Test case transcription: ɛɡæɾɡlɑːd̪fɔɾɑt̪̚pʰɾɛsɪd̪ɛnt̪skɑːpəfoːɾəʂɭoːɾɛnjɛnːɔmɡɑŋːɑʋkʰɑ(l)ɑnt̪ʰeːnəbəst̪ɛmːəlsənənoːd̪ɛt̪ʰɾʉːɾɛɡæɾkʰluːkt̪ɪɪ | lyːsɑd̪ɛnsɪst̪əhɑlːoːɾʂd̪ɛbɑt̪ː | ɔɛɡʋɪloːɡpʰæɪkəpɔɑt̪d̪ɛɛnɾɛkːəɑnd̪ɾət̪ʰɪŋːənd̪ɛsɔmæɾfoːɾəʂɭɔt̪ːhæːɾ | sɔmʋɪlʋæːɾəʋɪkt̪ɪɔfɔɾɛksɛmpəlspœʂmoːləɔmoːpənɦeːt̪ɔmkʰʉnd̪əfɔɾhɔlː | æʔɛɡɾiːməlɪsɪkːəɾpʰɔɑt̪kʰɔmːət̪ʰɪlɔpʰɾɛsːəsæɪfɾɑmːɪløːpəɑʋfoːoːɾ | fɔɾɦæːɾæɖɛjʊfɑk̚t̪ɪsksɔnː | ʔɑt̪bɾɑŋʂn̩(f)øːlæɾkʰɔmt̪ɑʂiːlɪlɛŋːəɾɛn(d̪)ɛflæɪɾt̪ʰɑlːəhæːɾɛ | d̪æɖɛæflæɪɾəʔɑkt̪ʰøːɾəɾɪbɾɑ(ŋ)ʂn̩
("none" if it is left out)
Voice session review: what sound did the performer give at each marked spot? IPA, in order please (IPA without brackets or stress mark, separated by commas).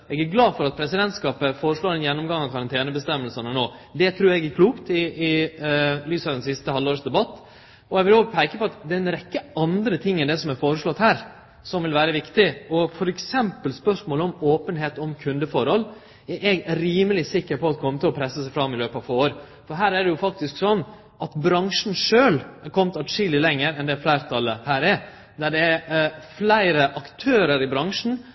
ɾ, ʂ, d̪, ŋ